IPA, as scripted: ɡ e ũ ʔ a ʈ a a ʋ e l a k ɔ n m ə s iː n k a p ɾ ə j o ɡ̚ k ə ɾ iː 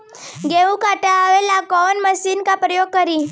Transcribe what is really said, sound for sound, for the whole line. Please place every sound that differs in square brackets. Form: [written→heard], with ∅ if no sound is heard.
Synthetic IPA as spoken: ɡ e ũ [ʔ→k] a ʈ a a ʋ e l a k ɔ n m ə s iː n k a p ɾ ə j o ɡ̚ k ə ɾ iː